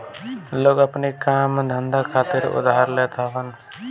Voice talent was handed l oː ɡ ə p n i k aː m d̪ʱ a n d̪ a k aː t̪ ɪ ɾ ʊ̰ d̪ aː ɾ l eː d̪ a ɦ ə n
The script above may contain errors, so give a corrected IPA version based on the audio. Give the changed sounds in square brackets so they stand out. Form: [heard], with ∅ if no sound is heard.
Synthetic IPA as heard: l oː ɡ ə p n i k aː m d̪ʱ [ə] n d̪ a [kʰ] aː t̪ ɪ ɾ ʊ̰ d̪ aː ɾ l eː [t̪] a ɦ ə n